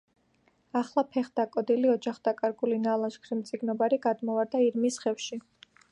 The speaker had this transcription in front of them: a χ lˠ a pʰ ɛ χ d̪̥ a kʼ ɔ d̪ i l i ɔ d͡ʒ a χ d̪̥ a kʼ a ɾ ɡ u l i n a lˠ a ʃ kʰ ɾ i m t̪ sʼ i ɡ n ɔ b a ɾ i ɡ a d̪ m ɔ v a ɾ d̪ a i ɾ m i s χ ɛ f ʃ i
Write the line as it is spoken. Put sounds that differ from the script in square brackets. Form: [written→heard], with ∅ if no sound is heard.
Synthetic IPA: a χ lˠ a pʰ ɛ χ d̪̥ a kʼ ɔ d̪ i l i ɔ d͡ʒ a χ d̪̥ a kʼ a ɾ ɡ u l i n a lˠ a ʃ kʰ ɾ i m t̪ sʼ i ɡ n ɔ b a ɾ i ɡ a d̪ m ɔ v a ɾ d̪ a i ɾ m i s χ ɛ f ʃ i

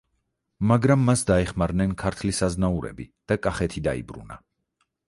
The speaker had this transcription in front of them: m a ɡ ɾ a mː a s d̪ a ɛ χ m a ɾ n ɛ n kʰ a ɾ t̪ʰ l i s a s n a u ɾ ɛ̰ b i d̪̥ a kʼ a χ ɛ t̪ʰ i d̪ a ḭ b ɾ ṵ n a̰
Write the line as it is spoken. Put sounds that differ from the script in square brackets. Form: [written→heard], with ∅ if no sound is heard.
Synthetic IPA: m a ɡ ɾ a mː a s d̪ a ɛ χ m a ɾ n ɛ n kʰ a ɾ t̪ʰ l i s a [s→z] n a u ɾ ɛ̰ b i d̪̥ a kʼ a χ ɛ t̪ʰ i d̪ a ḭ b ɾ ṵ n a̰

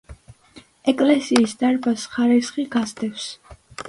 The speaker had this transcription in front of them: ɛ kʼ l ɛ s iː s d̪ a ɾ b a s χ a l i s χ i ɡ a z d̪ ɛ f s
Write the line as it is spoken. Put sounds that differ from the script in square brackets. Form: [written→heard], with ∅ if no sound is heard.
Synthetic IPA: ɛ kʼ l ɛ s iː s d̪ a ɾ b a s χ a [l→ɾ] i s χ i ɡ a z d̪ ɛ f s

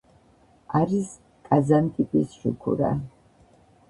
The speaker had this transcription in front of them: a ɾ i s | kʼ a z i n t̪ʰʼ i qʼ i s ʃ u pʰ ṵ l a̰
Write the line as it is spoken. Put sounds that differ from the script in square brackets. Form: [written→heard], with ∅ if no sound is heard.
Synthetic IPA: a ɾ i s | kʼ a z [i→a] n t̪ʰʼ i [qʼ→pʼ] i s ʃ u [pʰ→kʰ] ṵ [l→ɾ] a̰

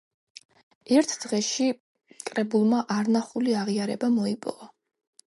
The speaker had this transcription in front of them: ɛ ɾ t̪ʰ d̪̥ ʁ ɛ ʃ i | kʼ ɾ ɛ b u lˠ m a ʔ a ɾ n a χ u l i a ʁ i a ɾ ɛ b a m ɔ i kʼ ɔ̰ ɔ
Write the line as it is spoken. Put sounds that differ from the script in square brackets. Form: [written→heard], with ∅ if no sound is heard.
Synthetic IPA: ɛ ɾ t̪ʰ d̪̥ ʁ ɛ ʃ i | kʼ ɾ ɛ b u lˠ m a ʔ a ɾ n a χ u l i a ʁ i a ɾ ɛ b a m ɔ i [kʼ→pʼ] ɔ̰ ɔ

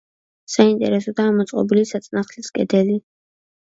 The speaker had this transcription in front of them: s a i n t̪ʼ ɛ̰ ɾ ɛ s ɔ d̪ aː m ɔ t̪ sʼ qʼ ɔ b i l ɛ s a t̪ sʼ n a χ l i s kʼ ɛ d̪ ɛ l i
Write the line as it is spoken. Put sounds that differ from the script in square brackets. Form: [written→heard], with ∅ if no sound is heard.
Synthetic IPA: s a i n t̪ʼ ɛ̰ ɾ ɛ s ɔ d̪ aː m ɔ t̪ sʼ qʼ ɔ b i l [ɛ→i] s a t̪ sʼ n a χ l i s kʼ ɛ d̪ ɛ l i

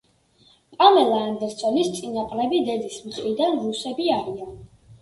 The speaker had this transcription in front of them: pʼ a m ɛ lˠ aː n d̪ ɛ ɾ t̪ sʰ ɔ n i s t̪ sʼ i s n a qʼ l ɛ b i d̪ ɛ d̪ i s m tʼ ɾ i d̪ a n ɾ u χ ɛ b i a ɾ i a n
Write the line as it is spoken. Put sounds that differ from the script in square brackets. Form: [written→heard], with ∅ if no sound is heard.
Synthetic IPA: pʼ a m ɛ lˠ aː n d̪ ɛ ɾ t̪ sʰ ɔ n i s t̪ sʼ i [s→∅] n a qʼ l ɛ b i d̪ ɛ d̪ i s m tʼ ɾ i d̪ a n ɾ u [χ→s] ɛ b i a ɾ i a n

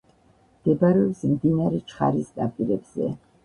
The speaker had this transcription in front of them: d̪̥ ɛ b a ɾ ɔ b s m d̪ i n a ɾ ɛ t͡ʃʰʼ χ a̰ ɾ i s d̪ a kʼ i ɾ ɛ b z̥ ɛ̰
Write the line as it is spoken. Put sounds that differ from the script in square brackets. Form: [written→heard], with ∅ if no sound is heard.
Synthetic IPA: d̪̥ ɛ b a ɾ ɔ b s m d̪ i n a ɾ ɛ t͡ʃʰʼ χ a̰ ɾ i s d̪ a [kʼ→pʼ] i ɾ ɛ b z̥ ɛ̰

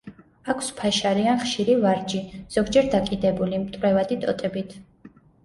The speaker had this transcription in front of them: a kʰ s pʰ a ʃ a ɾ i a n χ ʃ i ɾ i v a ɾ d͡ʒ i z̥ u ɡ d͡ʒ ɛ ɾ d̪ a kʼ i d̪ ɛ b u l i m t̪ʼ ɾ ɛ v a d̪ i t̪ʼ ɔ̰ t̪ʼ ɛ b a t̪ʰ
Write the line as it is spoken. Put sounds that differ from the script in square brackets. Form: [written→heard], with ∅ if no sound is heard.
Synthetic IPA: a kʰ s pʰ a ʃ a ɾ i a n χ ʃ i ɾ i v a ɾ d͡ʒ i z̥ [u→ɔ] ɡ d͡ʒ ɛ ɾ d̪ a kʼ i d̪ ɛ b u l i m t̪ʼ ɾ ɛ v a d̪ i t̪ʼ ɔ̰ t̪ʼ ɛ b [a→i] t̪ʰ

